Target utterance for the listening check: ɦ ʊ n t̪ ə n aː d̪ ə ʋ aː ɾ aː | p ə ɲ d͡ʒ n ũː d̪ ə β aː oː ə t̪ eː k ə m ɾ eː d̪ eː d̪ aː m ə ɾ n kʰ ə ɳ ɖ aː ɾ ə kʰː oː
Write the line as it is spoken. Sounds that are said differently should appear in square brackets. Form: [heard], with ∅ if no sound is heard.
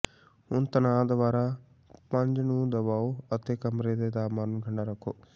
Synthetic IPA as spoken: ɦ ʊ n t̪ ə n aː d̪ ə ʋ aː ɾ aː | p ə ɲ d͡ʒ n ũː d̪ ə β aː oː ə t̪ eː k ə m ɾ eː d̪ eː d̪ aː m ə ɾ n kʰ ə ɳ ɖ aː ɾ ə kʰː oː

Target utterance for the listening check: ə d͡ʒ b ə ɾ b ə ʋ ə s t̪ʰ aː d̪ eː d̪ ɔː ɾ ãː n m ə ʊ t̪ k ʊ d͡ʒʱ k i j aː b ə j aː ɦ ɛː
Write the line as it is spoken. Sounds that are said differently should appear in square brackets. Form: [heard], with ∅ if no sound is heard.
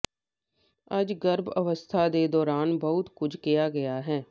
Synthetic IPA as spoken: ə d͡ʒ [ɡ] ə ɾ b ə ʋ ə s t̪ʰ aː d̪ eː d̪ ɔː ɾ [aː] n [b] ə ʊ t̪ k ʊ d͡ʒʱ k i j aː [ɡ] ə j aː ɦ ɛː

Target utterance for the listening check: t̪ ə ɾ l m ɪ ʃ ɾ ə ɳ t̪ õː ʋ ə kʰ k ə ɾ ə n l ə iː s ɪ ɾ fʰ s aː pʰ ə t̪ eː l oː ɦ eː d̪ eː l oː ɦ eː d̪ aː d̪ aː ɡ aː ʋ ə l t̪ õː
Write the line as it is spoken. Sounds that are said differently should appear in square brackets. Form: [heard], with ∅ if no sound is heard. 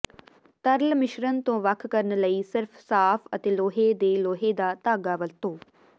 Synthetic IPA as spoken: t̪ ə ɾ l m ɪ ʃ ɾ ə [n] t̪ õː ʋ ə kʰ k ə ɾ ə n l ə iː s ɪ ɾ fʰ s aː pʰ ə t̪ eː l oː ɦ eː d̪ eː l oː ɦ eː d̪ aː [t̪] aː ɡ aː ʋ ə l t̪ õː

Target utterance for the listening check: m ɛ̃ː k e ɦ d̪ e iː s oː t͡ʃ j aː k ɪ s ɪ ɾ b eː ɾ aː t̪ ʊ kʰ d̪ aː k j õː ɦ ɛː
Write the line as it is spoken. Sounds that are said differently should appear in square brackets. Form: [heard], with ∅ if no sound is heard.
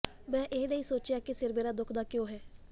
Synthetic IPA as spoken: m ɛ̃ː [ʔ] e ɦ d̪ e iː s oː t͡ʃ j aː k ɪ s ɪ ɾ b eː ɾ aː [d̪] ʊ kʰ d̪ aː k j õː ɦ ɛː

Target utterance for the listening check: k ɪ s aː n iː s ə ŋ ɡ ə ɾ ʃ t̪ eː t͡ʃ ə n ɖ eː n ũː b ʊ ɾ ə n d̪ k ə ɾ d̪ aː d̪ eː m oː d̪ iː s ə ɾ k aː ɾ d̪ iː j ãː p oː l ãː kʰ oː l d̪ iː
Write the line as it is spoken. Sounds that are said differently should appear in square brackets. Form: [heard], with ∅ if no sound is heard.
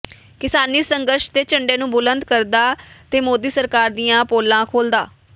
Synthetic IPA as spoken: k ɪ s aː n iː s ə ŋ ɡ ə ɾ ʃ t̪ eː t͡ʃ ə [ɳ] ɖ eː n ũː b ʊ [l] ə n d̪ k ə ɾ d̪ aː [t̪] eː m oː d̪ iː s ə ɾ k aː ɾ d̪ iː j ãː p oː l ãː kʰ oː l d̪ [aː]

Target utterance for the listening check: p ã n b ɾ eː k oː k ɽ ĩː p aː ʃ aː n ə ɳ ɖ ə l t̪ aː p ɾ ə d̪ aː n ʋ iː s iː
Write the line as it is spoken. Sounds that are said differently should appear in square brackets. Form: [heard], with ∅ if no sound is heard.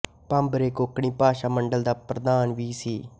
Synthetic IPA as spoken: p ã [m] b ɾ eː k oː k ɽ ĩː p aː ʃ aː [m] ə ɳ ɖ ə l [d̪] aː p ɾ ə d̪ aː n ʋ iː s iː

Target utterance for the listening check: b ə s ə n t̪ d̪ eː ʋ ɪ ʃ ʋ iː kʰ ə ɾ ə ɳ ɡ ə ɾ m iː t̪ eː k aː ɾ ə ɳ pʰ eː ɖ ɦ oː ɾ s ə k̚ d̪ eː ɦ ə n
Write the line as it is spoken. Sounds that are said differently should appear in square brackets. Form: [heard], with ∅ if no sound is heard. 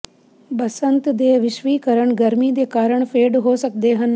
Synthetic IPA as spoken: b ə s ə n t̪ d̪ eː ʋ ɪ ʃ ʋ iː [k] ə ɾ ə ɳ ɡ ə ɾ m iː [d̪] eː k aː ɾ ə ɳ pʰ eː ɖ ɦ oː [∅] s ə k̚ d̪ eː ɦ ə n

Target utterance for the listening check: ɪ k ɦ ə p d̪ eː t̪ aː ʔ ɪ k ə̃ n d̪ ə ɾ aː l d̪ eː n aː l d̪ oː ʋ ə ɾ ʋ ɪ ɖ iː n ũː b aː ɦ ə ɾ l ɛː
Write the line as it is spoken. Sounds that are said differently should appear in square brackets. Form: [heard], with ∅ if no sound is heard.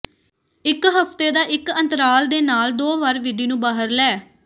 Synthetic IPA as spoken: ɪ k ɦ ə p [t̪] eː [d̪] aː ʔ ɪ k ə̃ n [t̪] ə ɾ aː l d̪ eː n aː l d̪ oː ʋ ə ɾ ʋ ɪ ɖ iː n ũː b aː ɦ ə ɾ l ɛː

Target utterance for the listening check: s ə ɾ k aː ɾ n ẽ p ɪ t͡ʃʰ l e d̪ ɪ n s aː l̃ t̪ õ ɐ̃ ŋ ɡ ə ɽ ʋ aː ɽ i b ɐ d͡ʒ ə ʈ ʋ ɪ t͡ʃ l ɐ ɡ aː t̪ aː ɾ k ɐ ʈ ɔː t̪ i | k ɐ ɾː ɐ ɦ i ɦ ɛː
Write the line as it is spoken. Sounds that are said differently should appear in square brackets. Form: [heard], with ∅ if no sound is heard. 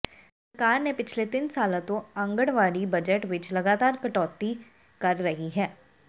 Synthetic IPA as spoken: s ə ɾ k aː ɾ n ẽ p ɪ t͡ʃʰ l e [t̪] ɪ n s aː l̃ t̪ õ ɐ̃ ŋ ɡ ə ɽ ʋ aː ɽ i b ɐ d͡ʒ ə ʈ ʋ ɪ t͡ʃ l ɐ ɡ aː t̪ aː ɾ k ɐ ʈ ɔː t̪ i | k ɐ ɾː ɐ ɦ i ɦ ɛː

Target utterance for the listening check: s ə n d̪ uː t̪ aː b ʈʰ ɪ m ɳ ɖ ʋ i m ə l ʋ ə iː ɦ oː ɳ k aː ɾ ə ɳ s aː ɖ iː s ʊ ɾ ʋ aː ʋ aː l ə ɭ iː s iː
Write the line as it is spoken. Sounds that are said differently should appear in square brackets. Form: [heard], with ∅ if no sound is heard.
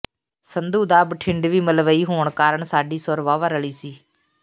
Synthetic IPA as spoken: s ə n d̪ uː [d̪] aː b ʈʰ ɪ [∅] ɳ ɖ ʋ [iː] m ə l ʋ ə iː ɦ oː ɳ k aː ɾ ə ɳ s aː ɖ iː s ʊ ɾ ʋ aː ʋ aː [ɾ] ə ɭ iː s iː

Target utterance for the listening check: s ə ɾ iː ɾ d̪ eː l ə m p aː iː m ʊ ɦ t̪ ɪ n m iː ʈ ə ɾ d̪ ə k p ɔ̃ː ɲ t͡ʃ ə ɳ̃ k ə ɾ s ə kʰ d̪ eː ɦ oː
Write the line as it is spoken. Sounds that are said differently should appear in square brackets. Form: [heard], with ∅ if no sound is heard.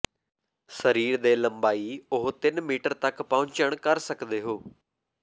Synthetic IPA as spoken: s ə ɾ iː ɾ d̪ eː l ə m [b] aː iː [∅] ʊ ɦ t̪ ɪ n m iː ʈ ə ɾ [t̪] ə k p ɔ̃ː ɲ t͡ʃ ə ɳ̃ k ə ɾ s ə [k] d̪ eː ɦ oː

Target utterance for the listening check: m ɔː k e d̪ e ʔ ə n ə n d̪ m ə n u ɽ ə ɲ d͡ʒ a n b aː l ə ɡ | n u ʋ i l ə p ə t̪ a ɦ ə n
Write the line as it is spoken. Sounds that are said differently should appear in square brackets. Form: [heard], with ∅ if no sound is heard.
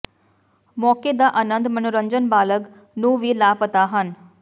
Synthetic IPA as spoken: m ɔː k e d̪ [a] ʔ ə n ə n d̪ m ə n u [ɾ] ə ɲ d͡ʒ [ə] n b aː l ə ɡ | n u ʋ i l [a] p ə t̪ a ɦ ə n

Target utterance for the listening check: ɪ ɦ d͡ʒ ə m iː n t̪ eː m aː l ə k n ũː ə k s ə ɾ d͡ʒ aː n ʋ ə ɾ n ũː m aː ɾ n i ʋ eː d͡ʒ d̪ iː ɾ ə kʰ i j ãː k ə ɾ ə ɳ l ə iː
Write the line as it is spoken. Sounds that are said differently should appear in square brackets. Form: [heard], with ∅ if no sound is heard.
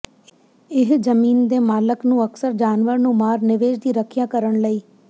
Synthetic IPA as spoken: ɪ ɦ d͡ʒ ə m iː n [d̪] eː m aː l ə k n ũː ə k s ə ɾ d͡ʒ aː n ʋ ə ɾ n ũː m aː ɾ n [ɪ] ʋ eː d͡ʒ d̪ iː ɾ ə kʰ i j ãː k ə ɾ ə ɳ l ə iː

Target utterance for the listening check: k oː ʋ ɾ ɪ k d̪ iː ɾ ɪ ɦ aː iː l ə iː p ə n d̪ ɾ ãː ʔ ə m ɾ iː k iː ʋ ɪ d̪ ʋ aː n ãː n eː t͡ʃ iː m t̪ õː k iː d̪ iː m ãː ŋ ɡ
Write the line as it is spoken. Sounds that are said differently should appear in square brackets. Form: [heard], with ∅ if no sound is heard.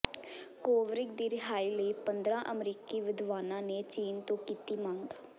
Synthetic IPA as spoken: k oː ʋ ɾ ɪ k d̪ iː ɾ ɪ ɦ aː iː l ə iː p ə n d̪ ɾ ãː ʔ ə m ɾ iː k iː ʋ ɪ d̪ ʋ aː n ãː n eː t͡ʃ iː [n] t̪ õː k iː [t̪] iː m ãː ŋ ɡ

